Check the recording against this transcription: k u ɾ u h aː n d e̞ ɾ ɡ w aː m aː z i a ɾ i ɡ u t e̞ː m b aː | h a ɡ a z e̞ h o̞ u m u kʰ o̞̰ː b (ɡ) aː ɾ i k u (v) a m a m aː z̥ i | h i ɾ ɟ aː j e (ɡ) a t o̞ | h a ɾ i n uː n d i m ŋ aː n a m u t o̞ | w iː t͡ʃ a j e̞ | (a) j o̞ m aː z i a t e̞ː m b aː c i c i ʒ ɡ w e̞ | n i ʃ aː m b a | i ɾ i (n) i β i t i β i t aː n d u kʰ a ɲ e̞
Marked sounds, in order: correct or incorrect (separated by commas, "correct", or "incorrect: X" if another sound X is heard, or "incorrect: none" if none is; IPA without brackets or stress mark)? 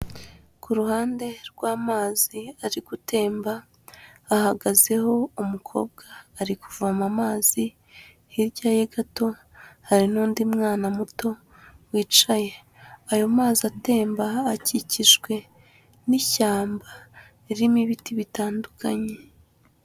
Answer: correct, correct, correct, correct, incorrect: m